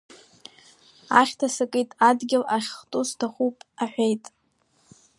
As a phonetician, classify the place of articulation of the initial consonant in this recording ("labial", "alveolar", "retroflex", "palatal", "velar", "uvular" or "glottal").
uvular